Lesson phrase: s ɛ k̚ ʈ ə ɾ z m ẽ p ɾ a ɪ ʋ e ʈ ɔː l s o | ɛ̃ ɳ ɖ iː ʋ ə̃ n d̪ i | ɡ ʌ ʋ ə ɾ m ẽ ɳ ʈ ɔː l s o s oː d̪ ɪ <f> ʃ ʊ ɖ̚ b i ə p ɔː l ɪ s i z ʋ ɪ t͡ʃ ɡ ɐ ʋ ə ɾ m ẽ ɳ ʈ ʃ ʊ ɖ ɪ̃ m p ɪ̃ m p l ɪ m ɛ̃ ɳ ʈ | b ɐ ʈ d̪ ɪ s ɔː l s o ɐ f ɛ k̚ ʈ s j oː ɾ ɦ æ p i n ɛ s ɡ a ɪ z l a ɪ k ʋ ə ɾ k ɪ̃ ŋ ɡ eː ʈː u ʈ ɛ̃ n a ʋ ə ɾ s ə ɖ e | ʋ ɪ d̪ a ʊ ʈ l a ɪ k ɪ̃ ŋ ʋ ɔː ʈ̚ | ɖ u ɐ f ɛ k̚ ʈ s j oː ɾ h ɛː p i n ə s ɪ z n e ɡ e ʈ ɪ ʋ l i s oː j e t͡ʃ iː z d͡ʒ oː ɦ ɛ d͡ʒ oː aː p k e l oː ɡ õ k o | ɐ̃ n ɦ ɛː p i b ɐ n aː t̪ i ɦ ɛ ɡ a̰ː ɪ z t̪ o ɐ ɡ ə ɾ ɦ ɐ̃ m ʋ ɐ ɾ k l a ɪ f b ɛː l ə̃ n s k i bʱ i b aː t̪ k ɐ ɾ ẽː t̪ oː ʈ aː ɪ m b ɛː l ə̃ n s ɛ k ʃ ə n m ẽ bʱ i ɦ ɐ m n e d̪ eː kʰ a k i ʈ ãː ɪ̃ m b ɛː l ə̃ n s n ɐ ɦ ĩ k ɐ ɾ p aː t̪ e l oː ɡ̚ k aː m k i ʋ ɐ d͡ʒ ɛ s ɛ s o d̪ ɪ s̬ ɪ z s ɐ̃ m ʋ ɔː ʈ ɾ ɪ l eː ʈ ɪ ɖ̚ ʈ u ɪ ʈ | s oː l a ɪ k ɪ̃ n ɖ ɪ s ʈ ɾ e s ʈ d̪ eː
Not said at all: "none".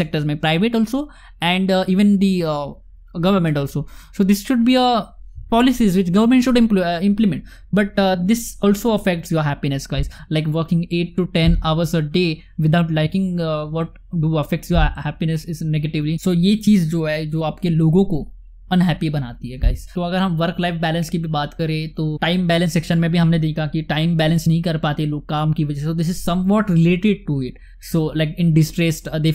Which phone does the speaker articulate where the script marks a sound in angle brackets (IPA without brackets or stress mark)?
s